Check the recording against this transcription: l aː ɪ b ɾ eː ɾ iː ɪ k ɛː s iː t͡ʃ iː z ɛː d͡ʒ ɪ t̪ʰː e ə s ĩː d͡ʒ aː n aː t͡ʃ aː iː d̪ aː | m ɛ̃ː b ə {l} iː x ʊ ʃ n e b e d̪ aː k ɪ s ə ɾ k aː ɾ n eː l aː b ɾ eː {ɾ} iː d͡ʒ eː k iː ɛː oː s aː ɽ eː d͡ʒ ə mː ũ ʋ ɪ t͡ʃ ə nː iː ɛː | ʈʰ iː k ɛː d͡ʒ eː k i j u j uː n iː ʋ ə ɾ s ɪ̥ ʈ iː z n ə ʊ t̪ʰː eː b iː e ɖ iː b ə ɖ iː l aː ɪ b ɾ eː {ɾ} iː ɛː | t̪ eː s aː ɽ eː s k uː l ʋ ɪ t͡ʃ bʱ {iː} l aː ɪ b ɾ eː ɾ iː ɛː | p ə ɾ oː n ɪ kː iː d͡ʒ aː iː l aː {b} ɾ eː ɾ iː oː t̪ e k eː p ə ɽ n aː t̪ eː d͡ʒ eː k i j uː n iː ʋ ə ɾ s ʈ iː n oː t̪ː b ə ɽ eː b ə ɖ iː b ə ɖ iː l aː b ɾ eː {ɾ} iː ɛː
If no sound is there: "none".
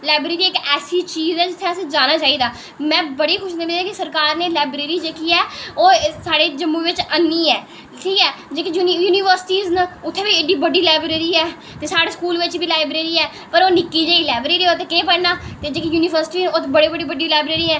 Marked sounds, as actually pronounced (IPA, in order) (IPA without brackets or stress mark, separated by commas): ɽ, ɾ, ɾ, iː, b, ɾ